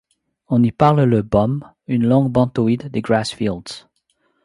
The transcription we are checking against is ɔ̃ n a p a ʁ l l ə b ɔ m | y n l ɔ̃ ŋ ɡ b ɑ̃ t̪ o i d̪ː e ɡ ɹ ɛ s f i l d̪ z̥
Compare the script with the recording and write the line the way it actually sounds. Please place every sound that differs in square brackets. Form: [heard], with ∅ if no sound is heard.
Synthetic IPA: ɔ̃ n [i] p a ʁ l l ə b ɔ m | y n l ɔ̃ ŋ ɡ b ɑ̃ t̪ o i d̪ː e ɡ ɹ [a] s f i l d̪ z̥